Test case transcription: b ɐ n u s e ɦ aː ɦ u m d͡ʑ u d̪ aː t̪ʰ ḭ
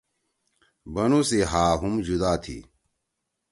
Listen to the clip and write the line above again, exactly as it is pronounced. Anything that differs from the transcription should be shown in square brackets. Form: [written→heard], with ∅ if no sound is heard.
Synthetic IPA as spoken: b ɐ n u s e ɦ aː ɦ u m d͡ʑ u d̪ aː t̪ʰ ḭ